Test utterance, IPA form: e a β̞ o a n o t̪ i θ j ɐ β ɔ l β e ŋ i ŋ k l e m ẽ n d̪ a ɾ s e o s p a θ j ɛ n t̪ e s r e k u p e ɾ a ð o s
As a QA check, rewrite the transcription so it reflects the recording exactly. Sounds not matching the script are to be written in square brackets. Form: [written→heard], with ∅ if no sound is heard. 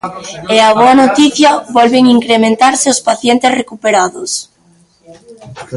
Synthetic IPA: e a β̞ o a n o t̪ i θ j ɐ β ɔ l β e ŋ i ŋ k [l→ɾ] e m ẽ n [d̪→t̪] a ɾ s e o s p a θ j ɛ n t̪ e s r e k u p e ɾ a ð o s